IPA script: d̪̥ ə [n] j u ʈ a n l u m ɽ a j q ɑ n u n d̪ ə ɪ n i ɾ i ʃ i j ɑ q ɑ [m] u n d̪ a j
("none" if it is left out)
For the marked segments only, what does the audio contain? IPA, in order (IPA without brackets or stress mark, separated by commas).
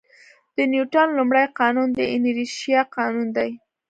n, n